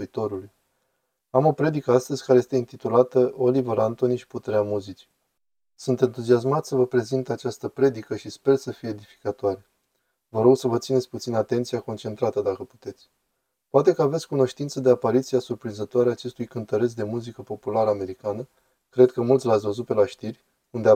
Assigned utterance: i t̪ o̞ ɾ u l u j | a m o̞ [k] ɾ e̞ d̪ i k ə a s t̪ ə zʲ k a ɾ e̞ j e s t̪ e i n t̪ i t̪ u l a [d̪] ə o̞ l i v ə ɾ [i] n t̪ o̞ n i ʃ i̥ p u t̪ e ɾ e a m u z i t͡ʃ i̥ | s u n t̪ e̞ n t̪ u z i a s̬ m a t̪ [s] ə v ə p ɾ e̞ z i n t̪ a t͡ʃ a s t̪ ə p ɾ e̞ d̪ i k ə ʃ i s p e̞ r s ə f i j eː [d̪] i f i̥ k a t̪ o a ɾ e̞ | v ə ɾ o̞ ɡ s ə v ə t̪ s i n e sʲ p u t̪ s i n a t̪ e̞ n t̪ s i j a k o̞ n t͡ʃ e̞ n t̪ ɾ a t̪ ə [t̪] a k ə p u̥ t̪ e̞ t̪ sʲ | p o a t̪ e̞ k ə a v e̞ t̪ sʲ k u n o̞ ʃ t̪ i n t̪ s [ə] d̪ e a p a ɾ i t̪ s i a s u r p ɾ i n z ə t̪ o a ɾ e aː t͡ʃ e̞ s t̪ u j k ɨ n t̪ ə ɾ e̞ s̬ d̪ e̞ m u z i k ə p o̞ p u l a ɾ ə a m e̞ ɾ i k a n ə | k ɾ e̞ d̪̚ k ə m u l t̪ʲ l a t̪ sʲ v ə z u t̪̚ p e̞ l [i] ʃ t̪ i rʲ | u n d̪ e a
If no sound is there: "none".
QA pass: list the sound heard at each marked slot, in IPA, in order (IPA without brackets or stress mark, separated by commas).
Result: p, t̪, a, s, d̪, d̪, ə, a